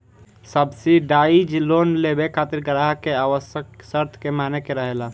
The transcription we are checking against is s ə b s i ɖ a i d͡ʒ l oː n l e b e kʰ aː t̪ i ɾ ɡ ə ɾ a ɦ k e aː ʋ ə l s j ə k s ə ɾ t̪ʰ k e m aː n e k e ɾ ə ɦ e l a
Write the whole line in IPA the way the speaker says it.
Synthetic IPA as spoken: s ə b s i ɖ a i d͡ʒ l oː n l e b e kʰ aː t̪ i ɾ ɡ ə ɾ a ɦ k e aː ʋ ə s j ə k s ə ɾ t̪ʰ k e m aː n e k e ɾ ə ɦ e l a